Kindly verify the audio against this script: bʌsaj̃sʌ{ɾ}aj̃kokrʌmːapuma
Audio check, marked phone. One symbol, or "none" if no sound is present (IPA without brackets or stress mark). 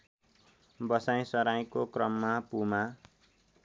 ɾ